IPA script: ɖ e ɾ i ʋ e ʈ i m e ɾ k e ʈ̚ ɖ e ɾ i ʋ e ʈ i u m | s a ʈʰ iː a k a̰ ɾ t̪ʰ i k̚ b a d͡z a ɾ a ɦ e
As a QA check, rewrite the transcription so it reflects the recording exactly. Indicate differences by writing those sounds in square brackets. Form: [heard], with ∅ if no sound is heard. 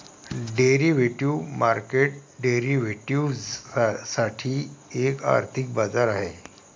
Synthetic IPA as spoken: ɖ e ɾ i ʋ e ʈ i m [a] ɾ k e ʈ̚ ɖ e ɾ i ʋ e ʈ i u [∅] | s a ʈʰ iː [e] k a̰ ɾ t̪ʰ i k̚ b a d͡z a ɾ a ɦ e